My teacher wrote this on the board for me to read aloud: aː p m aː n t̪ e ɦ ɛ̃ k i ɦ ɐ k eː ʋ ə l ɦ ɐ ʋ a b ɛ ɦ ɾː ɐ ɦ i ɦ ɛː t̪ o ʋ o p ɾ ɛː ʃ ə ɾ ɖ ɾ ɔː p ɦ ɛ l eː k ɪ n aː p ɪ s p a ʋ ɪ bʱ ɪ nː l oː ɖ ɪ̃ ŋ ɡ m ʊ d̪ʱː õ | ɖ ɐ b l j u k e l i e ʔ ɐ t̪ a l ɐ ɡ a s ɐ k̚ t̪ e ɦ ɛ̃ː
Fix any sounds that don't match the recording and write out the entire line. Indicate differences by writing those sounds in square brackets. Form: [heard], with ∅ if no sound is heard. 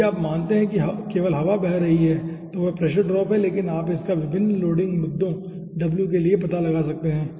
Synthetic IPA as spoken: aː p m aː n t̪ e ɦ ɛ̃ k i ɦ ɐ k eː ʋ ə l ɦ ɐ ʋ a b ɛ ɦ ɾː ɐ ɦ i ɦ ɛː t̪ o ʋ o p ɾ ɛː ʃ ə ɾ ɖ ɾ ɔː p ɦ ɛ l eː k ɪ n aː p ɪ s [k] a ʋ ɪ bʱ ɪ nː l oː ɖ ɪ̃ ŋ ɡ m ʊ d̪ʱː õ | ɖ ɐ b l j u k e l i e [p] ɐ t̪ a l ɐ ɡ a s ɐ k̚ t̪ e ɦ ɛ̃ː